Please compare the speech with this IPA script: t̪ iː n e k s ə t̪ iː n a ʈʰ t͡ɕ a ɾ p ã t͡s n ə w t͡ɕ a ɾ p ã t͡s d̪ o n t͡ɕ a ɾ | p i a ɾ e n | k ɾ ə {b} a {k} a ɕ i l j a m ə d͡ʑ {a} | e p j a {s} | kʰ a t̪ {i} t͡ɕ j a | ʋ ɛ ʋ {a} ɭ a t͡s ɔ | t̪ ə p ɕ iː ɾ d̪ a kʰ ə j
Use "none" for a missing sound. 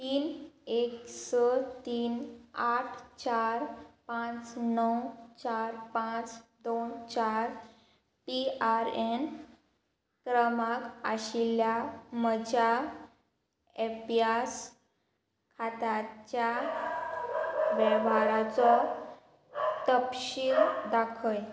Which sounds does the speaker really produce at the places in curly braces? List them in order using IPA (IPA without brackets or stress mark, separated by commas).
m, k, a, s, a, a